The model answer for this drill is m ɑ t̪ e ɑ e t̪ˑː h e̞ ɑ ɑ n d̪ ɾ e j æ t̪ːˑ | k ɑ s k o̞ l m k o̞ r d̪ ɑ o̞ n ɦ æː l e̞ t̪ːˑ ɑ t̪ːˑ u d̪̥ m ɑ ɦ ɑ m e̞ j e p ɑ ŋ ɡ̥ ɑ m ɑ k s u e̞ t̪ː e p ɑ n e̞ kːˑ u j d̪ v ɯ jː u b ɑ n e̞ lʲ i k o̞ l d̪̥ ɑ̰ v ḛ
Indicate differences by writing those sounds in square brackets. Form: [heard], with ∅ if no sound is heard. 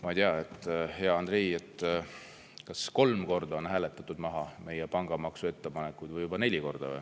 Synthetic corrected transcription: m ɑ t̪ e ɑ e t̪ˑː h e̞ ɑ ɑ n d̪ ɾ e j [e] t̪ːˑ | k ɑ s k o̞ l m k o̞ r d̪ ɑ o̞ n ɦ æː l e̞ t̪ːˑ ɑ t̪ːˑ u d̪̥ m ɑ ɦ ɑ m e̞ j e p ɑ ŋ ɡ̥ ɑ m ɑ k s u e̞ t̪ː e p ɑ n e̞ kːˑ u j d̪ v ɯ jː u b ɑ n e̞ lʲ i k o̞ [r] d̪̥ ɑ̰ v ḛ

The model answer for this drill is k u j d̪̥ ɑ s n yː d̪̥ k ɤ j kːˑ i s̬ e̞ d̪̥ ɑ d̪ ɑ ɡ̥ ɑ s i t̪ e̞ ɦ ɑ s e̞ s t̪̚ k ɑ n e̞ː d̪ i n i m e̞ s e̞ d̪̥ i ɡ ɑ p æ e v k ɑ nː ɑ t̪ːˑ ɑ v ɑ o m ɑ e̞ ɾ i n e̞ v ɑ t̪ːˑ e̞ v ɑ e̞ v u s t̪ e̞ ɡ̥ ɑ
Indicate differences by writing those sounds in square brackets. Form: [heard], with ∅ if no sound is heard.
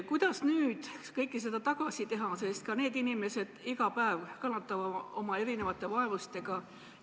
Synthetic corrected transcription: k u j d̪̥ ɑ s n yː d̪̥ k ɤ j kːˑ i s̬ e̞ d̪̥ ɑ [t̪] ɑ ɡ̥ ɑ s i t̪ e̞ ɦ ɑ s e̞ s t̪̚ k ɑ n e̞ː d̪ i n i m e̞ s e̞ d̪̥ i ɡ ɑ p æ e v k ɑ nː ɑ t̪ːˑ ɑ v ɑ o m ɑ e̞ ɾ i n e̞ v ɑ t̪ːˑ e̞ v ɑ e̞ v u s t̪ e̞ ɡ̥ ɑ

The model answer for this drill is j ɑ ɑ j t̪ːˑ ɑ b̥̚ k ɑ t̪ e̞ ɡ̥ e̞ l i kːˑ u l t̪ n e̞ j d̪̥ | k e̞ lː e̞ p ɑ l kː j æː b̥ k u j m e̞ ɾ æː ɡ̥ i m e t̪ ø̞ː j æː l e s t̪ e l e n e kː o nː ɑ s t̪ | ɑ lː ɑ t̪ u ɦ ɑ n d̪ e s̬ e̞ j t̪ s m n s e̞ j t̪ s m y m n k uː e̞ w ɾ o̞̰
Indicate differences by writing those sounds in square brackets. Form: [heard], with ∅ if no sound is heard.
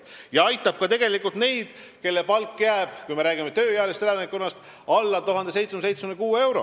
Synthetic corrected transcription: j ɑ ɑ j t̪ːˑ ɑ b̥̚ k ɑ t̪ e̞ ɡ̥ e̞ l i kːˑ u l t̪ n e̞ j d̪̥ | k e̞ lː e̞ p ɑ l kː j æː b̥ k u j m e̞ ɾ æː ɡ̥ i m e t̪ ø̞ː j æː l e s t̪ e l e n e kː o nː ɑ s t̪ | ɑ lː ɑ t̪ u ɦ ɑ n d̪ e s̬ e̞ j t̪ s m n s e̞ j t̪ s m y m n k uː e̞ w ɾ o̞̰

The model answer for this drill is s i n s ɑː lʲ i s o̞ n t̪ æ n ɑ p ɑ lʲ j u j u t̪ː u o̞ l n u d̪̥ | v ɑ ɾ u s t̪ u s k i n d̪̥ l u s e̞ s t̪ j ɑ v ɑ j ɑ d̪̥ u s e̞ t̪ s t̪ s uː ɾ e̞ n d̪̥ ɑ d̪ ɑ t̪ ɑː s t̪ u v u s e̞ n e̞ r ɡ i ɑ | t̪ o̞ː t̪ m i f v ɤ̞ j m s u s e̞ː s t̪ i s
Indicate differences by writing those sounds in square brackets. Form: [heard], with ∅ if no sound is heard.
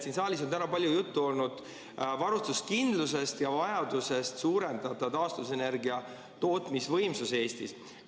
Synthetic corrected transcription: s i n s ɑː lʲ i s o̞ n t̪ æ n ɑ p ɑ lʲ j u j u t̪ː u o̞ l n u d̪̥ | v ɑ ɾ u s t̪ u s k i n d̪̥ l u s e̞ s t̪ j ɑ v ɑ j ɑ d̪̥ u s e̞ [∅] s t̪ s uː ɾ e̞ n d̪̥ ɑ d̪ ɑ t̪ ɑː s t̪ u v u s e̞ n e̞ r ɡ i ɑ | t̪ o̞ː t̪ m i [s] v ɤ̞ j m s u s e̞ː s t̪ i s

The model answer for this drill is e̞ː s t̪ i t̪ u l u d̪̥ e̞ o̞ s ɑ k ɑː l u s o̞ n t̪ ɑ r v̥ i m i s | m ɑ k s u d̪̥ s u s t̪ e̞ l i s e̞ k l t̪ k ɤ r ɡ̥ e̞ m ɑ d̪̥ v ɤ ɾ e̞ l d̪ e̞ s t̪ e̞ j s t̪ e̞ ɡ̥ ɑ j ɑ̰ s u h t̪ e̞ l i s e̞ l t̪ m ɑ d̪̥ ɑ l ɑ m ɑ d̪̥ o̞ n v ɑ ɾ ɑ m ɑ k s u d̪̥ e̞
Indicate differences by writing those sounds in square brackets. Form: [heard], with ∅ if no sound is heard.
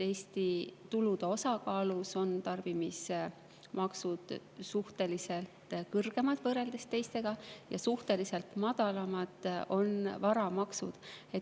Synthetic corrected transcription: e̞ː s t̪ i t̪ u l u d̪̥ e̞ o̞ s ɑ k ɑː l u s o̞ n t̪ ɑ r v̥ i m i s | m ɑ k s u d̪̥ s u [h] t̪ e̞ l i s e̞ [∅] l t̪ k ɤ r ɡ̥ e̞ m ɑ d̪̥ v ɤ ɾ e̞ l d̪ e̞ s t̪ e̞ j s t̪ e̞ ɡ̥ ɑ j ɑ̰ s u h t̪ e̞ l i s e̞ l t̪ m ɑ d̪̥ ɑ l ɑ m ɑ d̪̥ o̞ n v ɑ ɾ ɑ m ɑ k s u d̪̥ e̞

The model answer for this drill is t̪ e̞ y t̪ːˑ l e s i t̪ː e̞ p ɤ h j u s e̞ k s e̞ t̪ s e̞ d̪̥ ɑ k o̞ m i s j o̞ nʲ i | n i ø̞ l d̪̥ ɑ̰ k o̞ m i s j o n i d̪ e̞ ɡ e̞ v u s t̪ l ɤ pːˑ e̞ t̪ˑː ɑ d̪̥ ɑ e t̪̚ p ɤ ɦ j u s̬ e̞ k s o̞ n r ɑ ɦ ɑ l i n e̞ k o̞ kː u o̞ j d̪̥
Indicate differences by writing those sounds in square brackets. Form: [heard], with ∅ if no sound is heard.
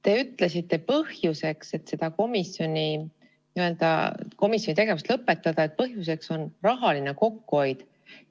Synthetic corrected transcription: t̪ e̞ y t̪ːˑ l e s i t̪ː e̞ p ɤ h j u s e̞ k s e̞ t̪ s e̞ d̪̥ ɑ k o̞ m i s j o̞ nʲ i | n i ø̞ l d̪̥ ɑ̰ k o̞ m i s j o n i [t̪] e̞ ɡ e̞ v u s t̪ l ɤ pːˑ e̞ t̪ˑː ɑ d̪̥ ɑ e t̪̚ p ɤ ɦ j u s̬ e̞ k s o̞ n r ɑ ɦ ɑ l i n e̞ k o̞ kː u o̞ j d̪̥

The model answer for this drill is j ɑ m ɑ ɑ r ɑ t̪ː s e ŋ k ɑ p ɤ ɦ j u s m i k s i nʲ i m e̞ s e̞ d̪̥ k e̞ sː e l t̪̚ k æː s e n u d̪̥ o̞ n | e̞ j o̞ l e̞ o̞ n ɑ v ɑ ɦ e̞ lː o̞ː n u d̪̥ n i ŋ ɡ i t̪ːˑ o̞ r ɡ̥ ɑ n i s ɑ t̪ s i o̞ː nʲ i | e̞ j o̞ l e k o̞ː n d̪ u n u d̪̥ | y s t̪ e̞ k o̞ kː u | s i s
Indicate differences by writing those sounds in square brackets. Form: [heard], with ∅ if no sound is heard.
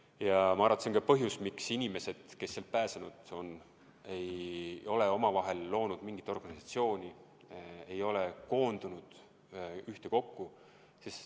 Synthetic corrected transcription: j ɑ m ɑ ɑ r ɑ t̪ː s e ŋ k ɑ p ɤ ɦ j u s m i k s i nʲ i m e̞ s e̞ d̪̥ k e̞ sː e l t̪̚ [p] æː s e n u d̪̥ o̞ n | e̞ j o̞ l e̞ o̞ [m] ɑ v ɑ ɦ e̞ lː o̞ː n u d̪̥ [m] i ŋ ɡ i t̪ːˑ o̞ r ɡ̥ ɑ n i s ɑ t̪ s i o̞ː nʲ i | e̞ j o̞ l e k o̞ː n d̪ u n u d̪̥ | y [h] t̪ e̞ k o̞ kː u | s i s

